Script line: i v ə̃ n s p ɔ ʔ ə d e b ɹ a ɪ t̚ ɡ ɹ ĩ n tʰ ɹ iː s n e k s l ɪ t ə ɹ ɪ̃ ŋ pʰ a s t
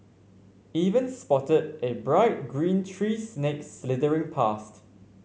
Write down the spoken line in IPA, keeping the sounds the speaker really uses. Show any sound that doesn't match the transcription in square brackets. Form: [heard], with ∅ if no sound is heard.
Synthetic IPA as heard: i v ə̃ n s p ɔ [t] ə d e b ɹ a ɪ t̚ ɡ ɹ ĩ n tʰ ɹ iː s n e k s l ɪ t ə ɹ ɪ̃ ŋ pʰ a s t